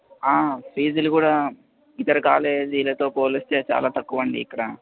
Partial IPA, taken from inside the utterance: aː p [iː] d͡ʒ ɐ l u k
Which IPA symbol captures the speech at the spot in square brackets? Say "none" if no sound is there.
iː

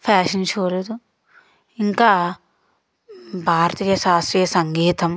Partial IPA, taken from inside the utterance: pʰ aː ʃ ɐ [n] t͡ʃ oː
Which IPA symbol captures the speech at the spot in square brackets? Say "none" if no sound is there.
n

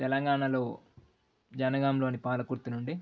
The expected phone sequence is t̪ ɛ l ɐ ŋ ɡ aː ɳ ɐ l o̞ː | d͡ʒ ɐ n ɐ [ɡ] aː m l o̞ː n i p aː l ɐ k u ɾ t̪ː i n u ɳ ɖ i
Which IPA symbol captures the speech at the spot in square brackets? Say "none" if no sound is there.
ɡ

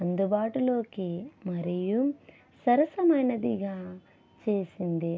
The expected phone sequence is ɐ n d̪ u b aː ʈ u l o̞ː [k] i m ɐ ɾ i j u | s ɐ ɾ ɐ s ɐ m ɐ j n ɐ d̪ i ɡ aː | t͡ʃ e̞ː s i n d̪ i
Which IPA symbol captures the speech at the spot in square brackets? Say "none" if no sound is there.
k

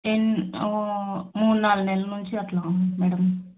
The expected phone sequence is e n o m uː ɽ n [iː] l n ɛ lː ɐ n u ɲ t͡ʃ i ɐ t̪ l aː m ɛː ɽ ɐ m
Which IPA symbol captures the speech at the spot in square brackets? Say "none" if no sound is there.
aː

